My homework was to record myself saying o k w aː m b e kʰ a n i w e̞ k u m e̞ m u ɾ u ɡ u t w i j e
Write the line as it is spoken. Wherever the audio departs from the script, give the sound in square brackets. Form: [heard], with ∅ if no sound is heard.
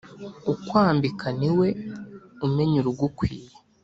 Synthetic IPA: [u] k w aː m b [i] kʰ a n i w e̞ [∅] u m e̞ [ɲ] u ɾ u ɡ u [k] w [iː] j e